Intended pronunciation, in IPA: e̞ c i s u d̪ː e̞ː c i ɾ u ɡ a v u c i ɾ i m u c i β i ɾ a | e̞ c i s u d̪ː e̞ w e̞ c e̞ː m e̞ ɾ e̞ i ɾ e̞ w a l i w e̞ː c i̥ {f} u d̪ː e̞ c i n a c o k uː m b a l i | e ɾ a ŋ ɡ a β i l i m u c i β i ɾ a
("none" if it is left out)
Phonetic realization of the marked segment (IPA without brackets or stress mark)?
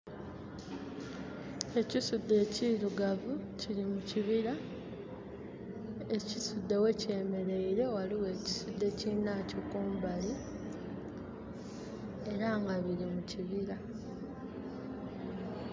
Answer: s